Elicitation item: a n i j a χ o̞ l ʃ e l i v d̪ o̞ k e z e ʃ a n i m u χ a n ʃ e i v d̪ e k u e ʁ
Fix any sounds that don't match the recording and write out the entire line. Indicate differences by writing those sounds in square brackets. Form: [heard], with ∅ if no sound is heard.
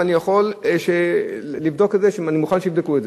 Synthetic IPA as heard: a n i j a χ o̞ l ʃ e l i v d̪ o̞ k e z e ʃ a n i m u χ a n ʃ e i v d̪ e k u e [z]

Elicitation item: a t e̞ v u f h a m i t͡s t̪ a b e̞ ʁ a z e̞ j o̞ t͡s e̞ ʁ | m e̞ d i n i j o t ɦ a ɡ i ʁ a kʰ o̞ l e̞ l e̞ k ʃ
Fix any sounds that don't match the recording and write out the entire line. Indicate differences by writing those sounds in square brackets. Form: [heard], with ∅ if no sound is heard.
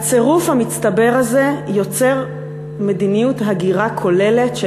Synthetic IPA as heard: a [t͡s] e̞ [ʁ] u f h a m i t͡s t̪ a b e̞ ʁ a z e̞ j o̞ t͡s e̞ ʁ | m e̞ d i n i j [u] t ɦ a ɡ i ʁ a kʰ o̞ l e̞ l e̞ [t] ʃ

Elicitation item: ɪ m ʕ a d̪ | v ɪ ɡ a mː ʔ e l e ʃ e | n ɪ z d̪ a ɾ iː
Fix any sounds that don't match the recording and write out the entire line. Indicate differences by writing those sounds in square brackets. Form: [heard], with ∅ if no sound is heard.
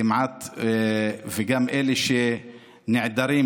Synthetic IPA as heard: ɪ m ʕ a [t̪] | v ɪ ɡ a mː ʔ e l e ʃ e | n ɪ [ʕ] d̪ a ɾ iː

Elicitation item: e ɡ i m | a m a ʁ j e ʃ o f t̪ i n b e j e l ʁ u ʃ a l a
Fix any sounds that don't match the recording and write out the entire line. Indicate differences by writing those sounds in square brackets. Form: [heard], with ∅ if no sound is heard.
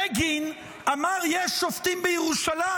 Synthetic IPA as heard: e ɡ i [n] | a m a ʁ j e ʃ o f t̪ i [m] b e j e [∅] ʁ u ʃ a l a

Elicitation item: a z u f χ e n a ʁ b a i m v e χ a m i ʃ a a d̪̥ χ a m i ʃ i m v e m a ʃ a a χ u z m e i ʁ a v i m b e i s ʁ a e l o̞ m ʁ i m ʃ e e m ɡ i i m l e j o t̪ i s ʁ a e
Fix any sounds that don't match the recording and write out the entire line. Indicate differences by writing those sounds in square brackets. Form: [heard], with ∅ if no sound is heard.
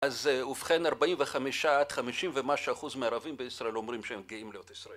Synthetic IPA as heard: a z u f χ e n a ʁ b a i m v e χ a m i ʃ a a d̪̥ χ a m i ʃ i m v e m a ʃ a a χ u z m e [a] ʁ a v i m b e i s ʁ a e l o̞ m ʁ i m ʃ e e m ɡ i i m l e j o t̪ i s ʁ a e

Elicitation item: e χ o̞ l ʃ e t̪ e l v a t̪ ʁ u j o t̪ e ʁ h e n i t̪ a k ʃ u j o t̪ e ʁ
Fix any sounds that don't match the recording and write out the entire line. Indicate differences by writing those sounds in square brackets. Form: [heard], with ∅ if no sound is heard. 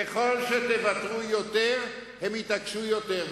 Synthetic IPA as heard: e χ o̞ l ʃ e t̪ e [∅] v a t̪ ʁ u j o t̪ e ʁ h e [m] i t̪ a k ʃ u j o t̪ e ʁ

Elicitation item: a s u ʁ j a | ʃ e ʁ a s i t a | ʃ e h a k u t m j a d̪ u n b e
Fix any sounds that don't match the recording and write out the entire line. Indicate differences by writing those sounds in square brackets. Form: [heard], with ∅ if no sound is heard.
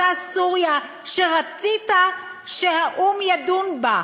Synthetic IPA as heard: a s u ʁ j a | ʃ e ʁ a [t͡s] i t a | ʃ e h a [ʔ] u [∅] m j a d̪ u n b [a]

